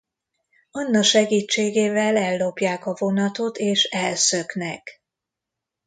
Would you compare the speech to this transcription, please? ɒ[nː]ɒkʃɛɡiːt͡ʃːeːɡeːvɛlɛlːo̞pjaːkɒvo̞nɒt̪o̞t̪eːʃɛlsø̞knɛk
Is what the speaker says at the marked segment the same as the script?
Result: yes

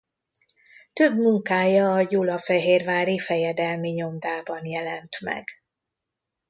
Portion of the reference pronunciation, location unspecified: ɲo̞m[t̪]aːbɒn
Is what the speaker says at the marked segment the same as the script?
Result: no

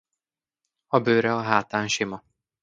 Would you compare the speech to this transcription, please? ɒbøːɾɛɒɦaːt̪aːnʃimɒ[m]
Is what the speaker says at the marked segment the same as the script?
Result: no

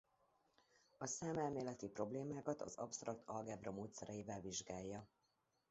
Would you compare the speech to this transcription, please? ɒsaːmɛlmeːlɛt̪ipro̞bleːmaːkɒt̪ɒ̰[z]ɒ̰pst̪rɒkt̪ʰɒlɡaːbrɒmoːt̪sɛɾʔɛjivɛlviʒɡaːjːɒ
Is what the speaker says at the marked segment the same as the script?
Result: yes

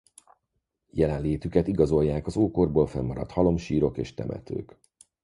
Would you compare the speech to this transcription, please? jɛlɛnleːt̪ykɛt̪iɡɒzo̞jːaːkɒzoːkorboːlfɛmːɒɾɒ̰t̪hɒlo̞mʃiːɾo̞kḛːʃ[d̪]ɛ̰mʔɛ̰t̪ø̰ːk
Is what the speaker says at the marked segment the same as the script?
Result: no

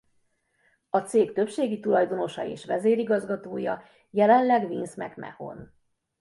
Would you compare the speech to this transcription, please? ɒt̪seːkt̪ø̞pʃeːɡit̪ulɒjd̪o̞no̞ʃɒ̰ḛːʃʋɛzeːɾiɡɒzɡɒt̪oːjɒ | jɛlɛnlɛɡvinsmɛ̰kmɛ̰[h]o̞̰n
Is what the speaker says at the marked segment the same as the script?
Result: yes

